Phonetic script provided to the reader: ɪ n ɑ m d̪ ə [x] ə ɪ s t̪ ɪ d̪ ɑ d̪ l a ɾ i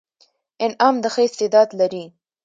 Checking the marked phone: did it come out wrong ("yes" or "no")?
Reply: no